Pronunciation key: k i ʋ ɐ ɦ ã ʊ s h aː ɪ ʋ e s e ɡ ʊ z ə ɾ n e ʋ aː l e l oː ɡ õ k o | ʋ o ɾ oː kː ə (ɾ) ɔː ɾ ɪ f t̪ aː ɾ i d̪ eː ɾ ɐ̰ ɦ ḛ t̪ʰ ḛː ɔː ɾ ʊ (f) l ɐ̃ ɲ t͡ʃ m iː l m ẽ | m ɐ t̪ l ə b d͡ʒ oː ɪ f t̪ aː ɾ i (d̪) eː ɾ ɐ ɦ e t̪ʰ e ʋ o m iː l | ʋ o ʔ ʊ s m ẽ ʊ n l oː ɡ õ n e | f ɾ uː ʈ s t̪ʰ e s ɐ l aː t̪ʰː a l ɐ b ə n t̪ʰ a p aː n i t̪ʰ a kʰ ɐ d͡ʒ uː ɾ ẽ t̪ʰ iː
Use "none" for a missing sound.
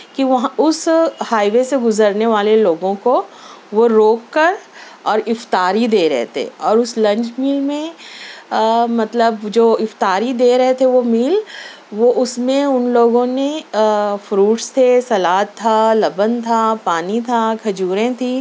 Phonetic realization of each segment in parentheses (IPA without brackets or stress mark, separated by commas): ɾ, s, d̪